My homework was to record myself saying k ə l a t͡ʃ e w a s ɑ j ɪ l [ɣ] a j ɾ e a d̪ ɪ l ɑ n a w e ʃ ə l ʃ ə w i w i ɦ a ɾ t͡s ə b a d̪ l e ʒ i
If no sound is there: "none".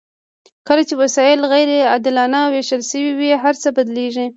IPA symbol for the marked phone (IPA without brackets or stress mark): ɣ